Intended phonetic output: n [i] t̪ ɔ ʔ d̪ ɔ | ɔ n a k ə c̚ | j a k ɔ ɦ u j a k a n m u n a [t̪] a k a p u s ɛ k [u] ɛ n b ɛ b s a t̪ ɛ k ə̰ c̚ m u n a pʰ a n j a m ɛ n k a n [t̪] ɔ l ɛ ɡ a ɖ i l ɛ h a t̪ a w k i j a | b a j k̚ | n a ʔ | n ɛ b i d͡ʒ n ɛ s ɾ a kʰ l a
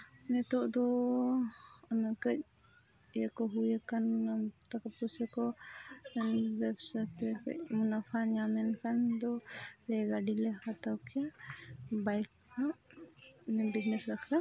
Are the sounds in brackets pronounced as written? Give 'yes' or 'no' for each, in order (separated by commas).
no, yes, no, no